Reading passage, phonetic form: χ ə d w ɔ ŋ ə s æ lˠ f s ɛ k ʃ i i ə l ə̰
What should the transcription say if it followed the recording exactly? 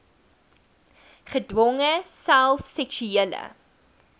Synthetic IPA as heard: χ ə d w ɔ ŋ ə s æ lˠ f s ɛ k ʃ y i ə l ə̰